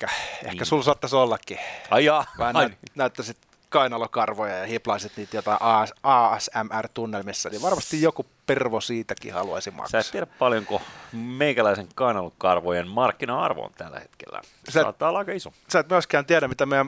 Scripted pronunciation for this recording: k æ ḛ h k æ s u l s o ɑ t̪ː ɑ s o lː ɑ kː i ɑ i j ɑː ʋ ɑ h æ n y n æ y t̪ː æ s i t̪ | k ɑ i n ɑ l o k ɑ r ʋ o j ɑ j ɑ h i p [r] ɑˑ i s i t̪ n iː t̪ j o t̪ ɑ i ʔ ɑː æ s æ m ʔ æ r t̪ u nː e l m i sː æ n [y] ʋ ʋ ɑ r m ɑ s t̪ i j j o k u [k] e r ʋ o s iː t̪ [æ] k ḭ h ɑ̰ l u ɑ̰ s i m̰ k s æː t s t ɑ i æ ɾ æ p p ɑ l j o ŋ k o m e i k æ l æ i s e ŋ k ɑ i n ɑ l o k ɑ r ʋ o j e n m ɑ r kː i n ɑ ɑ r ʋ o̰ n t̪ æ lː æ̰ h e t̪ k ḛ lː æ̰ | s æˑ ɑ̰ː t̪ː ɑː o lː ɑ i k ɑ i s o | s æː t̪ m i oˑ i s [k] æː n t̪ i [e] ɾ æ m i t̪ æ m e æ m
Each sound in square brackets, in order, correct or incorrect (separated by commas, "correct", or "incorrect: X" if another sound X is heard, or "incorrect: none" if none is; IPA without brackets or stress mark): incorrect: l, incorrect: i, incorrect: p, correct, correct, incorrect: æ